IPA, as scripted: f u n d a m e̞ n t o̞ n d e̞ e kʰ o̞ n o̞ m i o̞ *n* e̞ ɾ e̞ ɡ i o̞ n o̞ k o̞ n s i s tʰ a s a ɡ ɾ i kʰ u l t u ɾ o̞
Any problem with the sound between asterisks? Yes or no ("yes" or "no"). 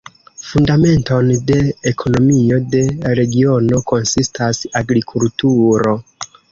yes